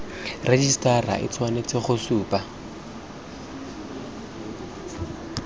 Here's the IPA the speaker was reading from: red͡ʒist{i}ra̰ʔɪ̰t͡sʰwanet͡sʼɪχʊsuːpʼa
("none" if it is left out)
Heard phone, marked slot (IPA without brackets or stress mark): a